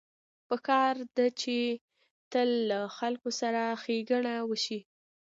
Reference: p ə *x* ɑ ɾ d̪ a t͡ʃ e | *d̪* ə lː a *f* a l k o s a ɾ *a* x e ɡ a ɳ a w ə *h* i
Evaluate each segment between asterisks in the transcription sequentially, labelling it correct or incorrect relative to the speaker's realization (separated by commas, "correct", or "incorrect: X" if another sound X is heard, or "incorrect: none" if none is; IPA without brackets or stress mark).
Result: incorrect: k, incorrect: t̪, incorrect: x, correct, incorrect: ʃ